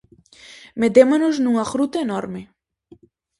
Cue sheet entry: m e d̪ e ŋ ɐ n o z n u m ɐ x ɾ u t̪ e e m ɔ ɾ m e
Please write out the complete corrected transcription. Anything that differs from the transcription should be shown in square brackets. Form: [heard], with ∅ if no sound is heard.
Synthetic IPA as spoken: m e d̪ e [m] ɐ n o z n u [ŋ] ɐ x ɾ u t̪ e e [n] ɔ ɾ m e